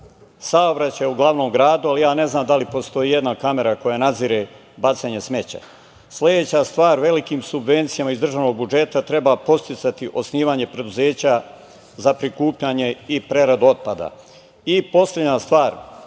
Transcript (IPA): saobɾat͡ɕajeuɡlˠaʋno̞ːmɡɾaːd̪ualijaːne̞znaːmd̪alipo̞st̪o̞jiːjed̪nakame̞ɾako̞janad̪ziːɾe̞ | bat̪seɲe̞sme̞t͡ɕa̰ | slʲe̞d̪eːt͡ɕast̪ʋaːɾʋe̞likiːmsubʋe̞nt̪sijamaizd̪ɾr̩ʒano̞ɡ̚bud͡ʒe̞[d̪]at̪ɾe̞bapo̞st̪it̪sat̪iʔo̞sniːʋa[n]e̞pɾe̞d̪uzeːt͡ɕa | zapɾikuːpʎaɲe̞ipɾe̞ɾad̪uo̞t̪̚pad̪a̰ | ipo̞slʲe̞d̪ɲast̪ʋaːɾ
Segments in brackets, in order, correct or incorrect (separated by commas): incorrect, incorrect